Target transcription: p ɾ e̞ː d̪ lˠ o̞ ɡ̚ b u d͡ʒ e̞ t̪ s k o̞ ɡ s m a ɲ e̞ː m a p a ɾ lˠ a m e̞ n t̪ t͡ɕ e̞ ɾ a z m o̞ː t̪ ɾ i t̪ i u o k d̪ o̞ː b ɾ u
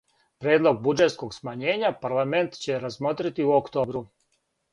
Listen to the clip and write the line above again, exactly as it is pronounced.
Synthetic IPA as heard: p ɾ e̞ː d̪ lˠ o̞ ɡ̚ b u d͡ʒ e̞ t̪ s k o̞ ɡ s m a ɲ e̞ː ɲ a p a ɾ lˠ a m e̞ n t̪ t͡ɕ e̞ ɾ a z m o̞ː t̪ ɾ i t̪ i u o k t̪ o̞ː b ɾ u